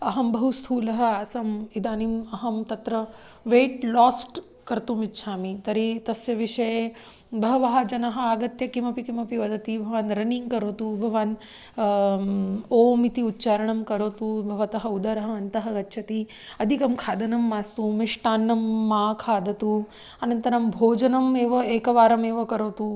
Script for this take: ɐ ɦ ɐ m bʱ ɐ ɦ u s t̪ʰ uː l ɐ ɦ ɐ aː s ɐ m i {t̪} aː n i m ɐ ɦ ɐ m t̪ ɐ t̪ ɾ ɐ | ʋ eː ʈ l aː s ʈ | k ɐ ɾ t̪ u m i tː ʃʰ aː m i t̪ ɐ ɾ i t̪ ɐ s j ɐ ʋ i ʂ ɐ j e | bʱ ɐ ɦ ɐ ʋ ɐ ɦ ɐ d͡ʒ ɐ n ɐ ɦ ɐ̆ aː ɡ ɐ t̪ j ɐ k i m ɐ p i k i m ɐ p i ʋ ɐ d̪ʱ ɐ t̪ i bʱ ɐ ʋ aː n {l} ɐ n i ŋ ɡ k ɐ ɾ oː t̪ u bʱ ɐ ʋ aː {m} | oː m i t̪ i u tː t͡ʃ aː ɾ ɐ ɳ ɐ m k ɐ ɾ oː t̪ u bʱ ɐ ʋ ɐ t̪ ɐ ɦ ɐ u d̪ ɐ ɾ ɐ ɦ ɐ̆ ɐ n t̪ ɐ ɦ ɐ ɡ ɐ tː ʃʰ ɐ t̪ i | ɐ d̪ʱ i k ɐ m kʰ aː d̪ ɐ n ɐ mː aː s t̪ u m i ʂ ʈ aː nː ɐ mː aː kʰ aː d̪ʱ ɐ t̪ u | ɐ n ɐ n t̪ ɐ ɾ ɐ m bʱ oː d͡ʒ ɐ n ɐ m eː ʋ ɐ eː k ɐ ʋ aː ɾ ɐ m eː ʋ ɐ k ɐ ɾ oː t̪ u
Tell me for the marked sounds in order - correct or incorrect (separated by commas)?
incorrect, incorrect, incorrect